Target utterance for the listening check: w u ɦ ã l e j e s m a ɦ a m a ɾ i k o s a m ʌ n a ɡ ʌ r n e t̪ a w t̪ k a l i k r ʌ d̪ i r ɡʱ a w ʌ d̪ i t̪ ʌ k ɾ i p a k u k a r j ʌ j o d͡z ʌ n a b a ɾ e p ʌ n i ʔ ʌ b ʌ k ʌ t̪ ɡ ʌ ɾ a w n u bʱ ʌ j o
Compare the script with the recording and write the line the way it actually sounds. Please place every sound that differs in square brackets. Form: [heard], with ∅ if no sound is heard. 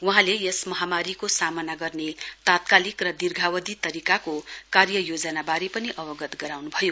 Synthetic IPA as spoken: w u ɦ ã l e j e s m [ʌ] ɦ a m a ɾ i k o s a m ʌ n a ɡ ʌ r n e t̪ a [∅] t̪ k a l i k r ʌ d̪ i r ɡʱ a w ʌ d̪ i t̪ ʌ [∅] ɾ i [k] a k [o] k a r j ʌ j o d͡z ʌ n a b a ɾ e p ʌ n i ʔ ʌ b ʌ [ɡ] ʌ t̪ ɡ ʌ ɾ a w n u bʱ ʌ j o